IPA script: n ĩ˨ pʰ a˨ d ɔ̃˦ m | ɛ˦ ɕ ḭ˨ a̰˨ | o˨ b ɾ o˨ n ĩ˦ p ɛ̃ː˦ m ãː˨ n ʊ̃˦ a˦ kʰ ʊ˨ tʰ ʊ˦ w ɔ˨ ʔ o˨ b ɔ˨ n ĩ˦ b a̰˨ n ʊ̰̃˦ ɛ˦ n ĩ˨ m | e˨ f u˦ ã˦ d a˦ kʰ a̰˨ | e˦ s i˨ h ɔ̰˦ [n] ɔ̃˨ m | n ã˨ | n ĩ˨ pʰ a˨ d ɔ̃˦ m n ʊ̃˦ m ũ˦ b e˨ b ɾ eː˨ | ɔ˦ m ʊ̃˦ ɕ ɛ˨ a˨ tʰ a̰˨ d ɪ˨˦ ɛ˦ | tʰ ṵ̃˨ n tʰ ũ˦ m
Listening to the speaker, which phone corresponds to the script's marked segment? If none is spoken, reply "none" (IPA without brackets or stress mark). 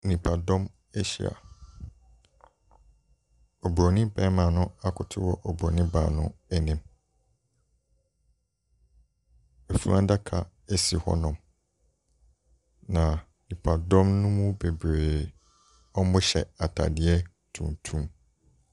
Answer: n